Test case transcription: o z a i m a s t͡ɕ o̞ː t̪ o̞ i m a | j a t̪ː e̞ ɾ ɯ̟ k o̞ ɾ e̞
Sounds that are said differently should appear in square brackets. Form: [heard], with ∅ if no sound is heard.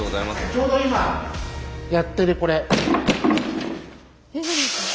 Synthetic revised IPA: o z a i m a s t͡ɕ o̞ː [d̪] o̞ i m a | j a t̪ː e̞ ɾ ɯ̟ k o̞ ɾ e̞